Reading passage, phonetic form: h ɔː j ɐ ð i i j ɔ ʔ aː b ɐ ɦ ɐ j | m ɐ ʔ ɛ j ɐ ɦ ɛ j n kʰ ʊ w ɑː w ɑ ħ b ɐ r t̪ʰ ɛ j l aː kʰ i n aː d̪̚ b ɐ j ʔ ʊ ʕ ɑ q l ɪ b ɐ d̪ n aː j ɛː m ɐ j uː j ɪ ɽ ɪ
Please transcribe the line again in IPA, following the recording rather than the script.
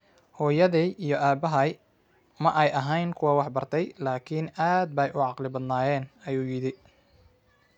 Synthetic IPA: h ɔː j ɐ ð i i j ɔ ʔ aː b ɐ ɦ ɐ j | m ɐ ʔ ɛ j ɐ ɦ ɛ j n kʰ ʊ w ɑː w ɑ ħ b ɐ r t̪ʰ ɛ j l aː kʰ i n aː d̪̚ b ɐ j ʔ ʊ ʕ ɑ q l ɪ b ɐ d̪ n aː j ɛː n ɐ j uː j ɪ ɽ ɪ

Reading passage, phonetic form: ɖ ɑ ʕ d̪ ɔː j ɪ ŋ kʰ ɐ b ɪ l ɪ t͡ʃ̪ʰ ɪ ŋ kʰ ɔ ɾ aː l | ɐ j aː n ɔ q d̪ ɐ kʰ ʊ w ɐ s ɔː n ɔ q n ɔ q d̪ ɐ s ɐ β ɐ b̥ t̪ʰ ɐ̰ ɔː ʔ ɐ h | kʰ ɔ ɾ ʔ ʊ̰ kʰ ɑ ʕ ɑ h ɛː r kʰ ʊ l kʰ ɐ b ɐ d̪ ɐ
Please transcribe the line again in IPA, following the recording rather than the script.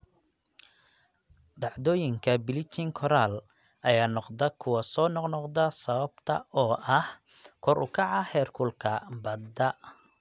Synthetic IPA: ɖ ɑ ʕ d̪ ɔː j ɪ ŋ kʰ ɐ b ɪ l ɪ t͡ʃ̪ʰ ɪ ŋ kʰ ɔ ɾ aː l | ɐ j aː n ɔ q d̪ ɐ kʰ ʊ w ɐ s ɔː n ɔ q n ɔ q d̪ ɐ s ɐ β ɐ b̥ t̪ʰ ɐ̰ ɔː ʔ ɐ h | kʰ ɔ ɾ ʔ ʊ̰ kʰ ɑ ʕ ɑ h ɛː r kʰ ʊ l kʰ ɐ b ɐ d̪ ɐ

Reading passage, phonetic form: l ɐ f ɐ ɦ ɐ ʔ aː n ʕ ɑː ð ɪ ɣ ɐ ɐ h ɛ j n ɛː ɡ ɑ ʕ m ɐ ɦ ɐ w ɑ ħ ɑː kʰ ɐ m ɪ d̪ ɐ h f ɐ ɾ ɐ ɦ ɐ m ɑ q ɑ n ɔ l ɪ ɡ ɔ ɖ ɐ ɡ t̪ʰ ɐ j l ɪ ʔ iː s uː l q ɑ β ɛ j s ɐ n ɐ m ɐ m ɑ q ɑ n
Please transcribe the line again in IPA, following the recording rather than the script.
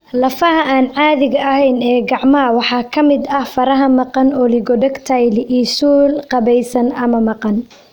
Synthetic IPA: l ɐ f ɐ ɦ ɐ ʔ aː n ʕ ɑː ð ɪ ɣ ɐ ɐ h ɛ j n ɛː ɡ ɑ ʕ m ɐ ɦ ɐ w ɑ ħ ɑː kʰ ɐ m ɪ d̪ ɐ h f ɐ ɾ ɐ ɦ ɐ m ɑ q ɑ n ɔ l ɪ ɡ ɔ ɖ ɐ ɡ t̪ʰ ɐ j l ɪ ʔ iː s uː l q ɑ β ɛ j s ɐ n ɐ m ɐ m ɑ q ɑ n

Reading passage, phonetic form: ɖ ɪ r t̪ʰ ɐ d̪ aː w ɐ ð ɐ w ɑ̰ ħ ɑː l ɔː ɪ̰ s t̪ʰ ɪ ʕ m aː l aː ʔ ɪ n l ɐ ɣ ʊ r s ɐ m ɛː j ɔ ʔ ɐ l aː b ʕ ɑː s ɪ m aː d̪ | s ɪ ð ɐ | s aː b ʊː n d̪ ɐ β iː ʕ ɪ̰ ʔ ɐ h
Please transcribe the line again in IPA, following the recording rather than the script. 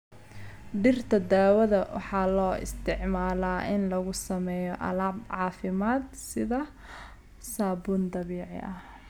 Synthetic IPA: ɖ ɪ r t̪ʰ ɐ d̪ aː w ɐ ð ɐ w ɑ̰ ħ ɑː l ɔː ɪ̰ s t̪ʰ ɪ ʕ m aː l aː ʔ ɪ n l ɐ ɣ ʊ s ɐ m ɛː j ɔ ʔ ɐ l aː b ʕ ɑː f ɪ m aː d̪ | s ɪ ð ɐ | s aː b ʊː n d̪ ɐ β iː ʕ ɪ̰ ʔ ɐ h

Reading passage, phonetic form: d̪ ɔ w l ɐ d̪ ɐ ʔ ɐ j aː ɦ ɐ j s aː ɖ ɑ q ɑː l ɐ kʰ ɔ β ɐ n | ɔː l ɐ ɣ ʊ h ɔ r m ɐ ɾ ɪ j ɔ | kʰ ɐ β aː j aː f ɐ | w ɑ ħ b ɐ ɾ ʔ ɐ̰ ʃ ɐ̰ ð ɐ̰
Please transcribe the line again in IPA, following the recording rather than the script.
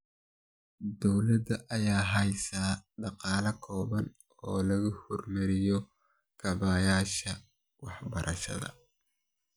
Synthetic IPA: d̪ ɔ w l ɐ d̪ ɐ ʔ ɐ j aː ɦ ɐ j s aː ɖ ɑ q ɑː l ɐ kʰ ɔː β ɐ n | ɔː l ɐ ɣ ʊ h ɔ r m ɐ ɾ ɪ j ɔ | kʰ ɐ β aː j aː ʃ ɐ | w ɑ ħ b ɐ ɾ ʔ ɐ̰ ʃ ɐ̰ ð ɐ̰

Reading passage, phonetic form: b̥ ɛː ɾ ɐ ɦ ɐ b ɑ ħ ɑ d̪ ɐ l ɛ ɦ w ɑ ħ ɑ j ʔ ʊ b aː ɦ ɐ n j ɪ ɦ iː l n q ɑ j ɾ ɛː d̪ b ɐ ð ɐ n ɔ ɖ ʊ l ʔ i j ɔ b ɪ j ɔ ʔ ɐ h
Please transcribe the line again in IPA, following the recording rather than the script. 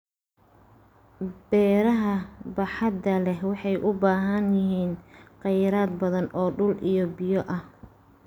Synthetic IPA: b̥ ɛː ɾ ɐ ɦ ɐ b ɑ ħ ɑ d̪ ɐ l ɛ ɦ w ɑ ħ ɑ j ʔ ʊ b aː ɦ ɐ n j ɪ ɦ iː n q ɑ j ɾ aː d̪ b ɐ ð ɐ n ɔː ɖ ʊ l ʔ i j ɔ b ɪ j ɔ ʔ ɐ h

